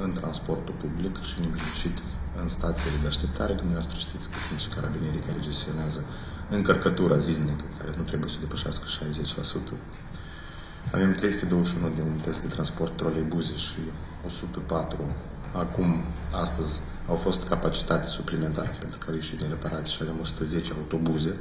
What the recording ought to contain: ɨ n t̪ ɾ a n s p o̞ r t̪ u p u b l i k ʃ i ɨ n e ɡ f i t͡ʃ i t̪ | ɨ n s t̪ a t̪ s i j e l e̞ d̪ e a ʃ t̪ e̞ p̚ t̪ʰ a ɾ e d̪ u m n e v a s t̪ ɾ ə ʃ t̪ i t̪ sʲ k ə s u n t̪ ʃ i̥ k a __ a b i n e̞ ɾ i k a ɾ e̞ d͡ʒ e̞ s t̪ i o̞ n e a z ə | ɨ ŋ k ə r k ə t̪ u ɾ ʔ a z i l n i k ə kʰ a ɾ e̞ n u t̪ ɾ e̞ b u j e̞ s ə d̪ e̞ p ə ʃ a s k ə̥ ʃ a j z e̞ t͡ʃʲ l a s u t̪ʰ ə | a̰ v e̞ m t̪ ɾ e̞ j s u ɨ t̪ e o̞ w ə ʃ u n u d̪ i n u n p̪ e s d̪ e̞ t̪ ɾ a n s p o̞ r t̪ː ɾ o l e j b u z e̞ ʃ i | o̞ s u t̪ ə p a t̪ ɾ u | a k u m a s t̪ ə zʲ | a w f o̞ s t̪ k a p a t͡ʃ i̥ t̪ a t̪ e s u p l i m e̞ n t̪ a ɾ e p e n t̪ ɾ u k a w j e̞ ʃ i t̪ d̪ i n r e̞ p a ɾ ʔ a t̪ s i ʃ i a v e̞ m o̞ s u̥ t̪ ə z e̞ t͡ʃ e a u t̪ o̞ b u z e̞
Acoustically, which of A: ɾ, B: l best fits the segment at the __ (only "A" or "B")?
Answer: A